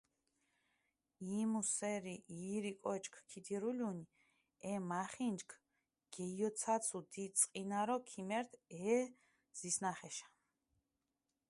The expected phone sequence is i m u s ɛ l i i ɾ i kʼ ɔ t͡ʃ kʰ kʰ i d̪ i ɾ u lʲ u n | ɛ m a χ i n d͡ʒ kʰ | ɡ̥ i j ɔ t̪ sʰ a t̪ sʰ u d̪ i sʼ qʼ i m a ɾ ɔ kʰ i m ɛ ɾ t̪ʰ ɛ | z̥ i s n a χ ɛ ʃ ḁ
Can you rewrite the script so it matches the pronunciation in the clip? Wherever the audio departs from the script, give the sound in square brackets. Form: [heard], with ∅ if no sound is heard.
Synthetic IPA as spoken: i m u s ɛ [ɾ] i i ɾ i kʼ ɔ t͡ʃ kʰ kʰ i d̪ i ɾ u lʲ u n | ɛ m a χ i n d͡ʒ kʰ | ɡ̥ [ɛ] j ɔ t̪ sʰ a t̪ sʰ u d̪ i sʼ qʼ i [n] a ɾ ɔ kʰ i m ɛ ɾ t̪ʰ ɛ | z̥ i s n a χ ɛ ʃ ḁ